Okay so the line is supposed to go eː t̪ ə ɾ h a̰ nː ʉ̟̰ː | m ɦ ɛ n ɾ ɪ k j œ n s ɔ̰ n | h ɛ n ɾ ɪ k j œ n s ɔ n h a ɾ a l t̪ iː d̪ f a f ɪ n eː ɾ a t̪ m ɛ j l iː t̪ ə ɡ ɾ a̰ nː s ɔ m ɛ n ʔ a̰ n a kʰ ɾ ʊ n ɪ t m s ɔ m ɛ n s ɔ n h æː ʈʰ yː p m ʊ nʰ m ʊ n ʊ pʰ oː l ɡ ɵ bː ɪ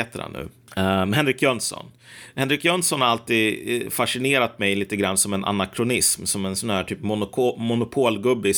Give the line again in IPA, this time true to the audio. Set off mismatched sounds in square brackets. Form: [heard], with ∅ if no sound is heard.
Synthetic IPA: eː t̪ ə ɾ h a̰ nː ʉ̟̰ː | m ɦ ɛ n ɾ ɪ k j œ n s ɔ̰ n | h ɛ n ɾ ɪ k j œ n s ɔ n h a ɾ a l t̪ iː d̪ f a [ʂ] ɪ n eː ɾ a t̪ m ɛ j l iː t̪ ə ɡ ɾ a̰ nː s ɔ m ɛ n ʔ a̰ n a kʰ ɾ ʊ n ɪ [s] m s ɔ m ɛ n s ɔ n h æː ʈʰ yː p m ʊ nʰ m ʊ n ʊ pʰ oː l ɡ ɵ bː ɪ